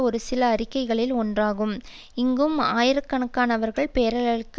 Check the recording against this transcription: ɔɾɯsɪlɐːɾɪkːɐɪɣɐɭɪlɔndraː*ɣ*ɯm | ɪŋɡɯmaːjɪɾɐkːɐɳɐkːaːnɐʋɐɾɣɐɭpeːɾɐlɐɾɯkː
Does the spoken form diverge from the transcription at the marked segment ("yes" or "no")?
no